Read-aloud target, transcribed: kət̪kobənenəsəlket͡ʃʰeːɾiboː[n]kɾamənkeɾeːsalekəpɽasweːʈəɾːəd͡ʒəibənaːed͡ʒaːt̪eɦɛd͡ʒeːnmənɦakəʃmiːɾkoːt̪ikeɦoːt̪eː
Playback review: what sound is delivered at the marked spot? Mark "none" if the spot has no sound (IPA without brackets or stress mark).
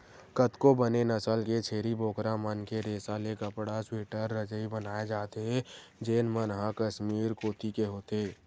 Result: none